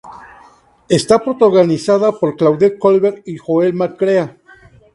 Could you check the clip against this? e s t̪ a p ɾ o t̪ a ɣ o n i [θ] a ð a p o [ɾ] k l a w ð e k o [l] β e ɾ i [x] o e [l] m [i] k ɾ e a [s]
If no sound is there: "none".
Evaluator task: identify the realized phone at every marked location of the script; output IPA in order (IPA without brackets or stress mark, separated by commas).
s, ɾ, l, x, l, a, none